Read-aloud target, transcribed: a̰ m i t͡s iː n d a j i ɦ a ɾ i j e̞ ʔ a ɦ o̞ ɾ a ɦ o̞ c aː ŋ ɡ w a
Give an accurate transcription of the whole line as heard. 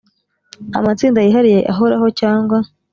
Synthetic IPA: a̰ m a t͡s iː n d a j i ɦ a ɾ i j e̞ ʔ a ɦ o̞ ɾ a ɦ o̞ c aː ŋ ɡ w a

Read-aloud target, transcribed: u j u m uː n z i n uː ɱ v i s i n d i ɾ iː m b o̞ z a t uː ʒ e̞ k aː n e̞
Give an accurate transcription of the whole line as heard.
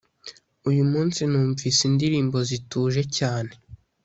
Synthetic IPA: u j u m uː n s i n uː ɱ v i s i n d i ɾ iː m b o̞ z i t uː ʒ e̞ c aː n e̞

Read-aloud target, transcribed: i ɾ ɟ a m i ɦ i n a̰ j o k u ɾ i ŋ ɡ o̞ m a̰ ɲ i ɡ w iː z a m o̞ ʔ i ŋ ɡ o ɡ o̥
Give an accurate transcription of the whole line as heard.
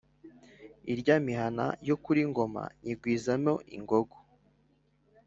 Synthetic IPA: i ɾ ɟ a m i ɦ a n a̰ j o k u ɾ i ŋ ɡ o̞ m a̰ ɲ i ɡ w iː z a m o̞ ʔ i ŋ ɡ o ɡ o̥

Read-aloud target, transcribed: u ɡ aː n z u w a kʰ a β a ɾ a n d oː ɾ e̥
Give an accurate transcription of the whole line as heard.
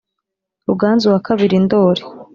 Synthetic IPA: u ɡ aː n z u w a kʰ a β i ɾ i n d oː ɾ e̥

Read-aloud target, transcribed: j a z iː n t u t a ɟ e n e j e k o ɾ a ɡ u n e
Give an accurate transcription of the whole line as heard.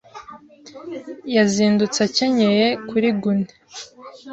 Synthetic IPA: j a z iː n d u t͡s a c e ɲ e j e k u ɾ i ɡ u n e

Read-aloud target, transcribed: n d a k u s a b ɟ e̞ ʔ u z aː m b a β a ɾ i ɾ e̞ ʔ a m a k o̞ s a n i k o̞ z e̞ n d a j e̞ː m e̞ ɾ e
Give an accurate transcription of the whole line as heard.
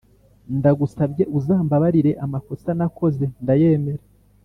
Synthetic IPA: n d a ɡ u s a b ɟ e̞ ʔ u z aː m b a β a ɾ i ɾ e̞ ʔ a m a k o̞ s a n a k o̞ z e̞ n d a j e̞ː m e̞ ɾ e

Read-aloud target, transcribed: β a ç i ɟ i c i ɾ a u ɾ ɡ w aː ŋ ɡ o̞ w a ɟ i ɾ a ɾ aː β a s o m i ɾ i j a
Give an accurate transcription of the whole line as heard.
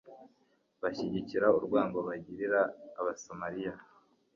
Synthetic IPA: β a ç i ɟ i c i ɾ a u ɾ ɡ w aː ŋ ɡ o̞ β a ɟ i ɾ i ɾ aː β a s o m a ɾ i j a

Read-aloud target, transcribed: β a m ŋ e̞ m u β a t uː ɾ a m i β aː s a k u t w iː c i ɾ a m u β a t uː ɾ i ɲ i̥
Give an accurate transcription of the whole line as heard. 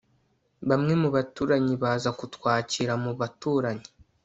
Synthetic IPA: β a m ŋ e̞ m u β a t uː ɾ a ɲ i β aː z a k u t w aː c i ɾ a m u β a t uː ɾ a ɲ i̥

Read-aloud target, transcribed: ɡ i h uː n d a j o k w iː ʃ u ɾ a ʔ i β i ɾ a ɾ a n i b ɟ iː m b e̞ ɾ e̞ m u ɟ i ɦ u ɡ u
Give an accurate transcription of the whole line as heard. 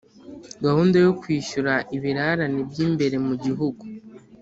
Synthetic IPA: ɡ a h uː n d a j o k w iː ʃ u ɾ a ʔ i β i ɾ a ɾ a n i b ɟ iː m b e̞ ɾ e̞ m u ɟ i ɦ u ɡ u

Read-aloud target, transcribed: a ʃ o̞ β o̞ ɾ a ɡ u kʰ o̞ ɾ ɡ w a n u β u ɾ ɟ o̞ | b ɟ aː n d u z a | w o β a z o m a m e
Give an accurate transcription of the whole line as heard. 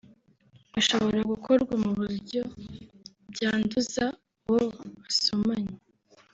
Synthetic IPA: a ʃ o̞ β o̞ ɾ a ɡ u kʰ o̞ ɾ ɡ w a m u β u ɾ ɟ o̞ | b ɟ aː n d u z a | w o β a s o m a ɲ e

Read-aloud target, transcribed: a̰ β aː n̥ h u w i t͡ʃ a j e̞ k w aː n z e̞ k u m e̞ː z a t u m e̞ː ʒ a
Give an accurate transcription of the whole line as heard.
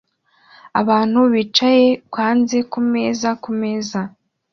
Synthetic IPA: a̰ β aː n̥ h u β i t͡ʃ a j e̞ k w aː n z e̞ k u m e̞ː z a k u m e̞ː z a

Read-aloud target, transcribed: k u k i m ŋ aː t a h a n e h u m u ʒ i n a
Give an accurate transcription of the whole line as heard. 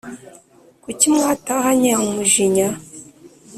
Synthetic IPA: k u c i m ŋ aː t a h a ɲ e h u m u ʒ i ɲ a

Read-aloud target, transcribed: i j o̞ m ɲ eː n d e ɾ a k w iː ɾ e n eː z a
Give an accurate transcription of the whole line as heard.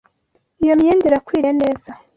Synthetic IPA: i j o̞ m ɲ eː n d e ɾ a k w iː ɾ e n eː z a

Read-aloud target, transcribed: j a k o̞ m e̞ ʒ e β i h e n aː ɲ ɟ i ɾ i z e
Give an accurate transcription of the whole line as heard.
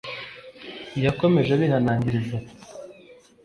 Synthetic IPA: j a k o̞ m e̞ ʒ e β i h a n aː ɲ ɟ i ɾ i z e

